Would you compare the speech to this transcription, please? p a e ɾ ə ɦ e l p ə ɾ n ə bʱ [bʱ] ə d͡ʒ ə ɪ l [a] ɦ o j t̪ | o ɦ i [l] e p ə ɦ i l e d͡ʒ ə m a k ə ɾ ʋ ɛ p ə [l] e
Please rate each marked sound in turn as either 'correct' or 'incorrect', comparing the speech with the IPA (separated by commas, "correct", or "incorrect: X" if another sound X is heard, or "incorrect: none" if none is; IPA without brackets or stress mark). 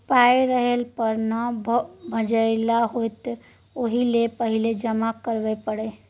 correct, correct, correct, incorrect: ɽ